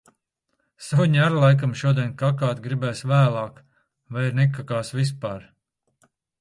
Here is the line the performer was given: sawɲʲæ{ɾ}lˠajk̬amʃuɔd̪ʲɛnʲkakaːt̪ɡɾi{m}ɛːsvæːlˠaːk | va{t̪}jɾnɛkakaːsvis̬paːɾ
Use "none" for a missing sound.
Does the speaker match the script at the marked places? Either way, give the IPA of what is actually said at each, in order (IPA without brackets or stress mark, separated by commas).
ɾ, b, none